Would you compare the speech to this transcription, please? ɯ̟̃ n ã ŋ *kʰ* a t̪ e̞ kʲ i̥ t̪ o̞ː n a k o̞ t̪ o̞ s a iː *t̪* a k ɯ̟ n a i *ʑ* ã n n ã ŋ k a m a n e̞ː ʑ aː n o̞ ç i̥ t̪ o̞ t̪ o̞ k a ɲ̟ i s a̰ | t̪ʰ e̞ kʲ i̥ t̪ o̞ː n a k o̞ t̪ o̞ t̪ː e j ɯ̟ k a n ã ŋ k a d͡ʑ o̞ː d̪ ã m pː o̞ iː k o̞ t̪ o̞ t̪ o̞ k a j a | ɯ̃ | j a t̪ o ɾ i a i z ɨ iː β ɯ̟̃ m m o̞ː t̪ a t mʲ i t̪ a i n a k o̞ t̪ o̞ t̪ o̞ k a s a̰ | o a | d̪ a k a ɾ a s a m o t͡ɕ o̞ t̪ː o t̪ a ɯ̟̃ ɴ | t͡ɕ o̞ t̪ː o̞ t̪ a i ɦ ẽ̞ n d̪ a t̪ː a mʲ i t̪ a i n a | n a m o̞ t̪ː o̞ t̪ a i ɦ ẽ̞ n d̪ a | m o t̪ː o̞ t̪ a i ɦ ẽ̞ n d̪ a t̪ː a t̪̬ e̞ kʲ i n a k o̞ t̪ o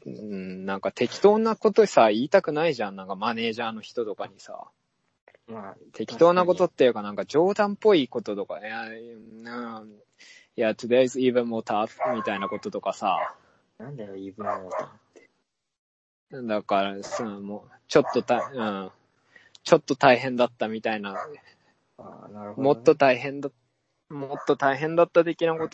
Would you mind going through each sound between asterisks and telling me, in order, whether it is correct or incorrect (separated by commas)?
incorrect, correct, correct